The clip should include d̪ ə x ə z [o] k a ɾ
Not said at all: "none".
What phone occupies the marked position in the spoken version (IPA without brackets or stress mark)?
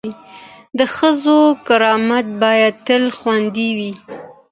o